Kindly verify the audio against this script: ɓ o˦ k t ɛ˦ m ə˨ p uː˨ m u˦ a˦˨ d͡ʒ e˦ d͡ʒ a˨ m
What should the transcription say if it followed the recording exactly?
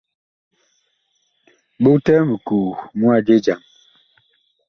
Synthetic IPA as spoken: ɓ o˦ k t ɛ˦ m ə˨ k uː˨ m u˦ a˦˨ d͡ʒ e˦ d͡ʒ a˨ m